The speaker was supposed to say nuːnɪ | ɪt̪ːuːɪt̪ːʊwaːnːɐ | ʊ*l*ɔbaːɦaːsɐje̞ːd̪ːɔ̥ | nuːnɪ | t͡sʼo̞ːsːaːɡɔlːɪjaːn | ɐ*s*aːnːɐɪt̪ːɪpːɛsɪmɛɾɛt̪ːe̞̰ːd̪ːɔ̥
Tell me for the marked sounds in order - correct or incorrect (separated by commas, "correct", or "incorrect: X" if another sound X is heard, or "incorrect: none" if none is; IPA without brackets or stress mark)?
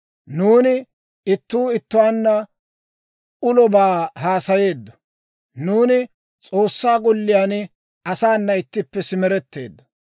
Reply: correct, correct